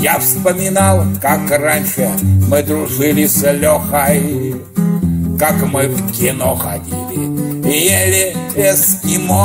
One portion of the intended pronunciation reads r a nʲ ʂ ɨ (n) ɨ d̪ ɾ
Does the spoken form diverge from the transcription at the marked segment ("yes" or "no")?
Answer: yes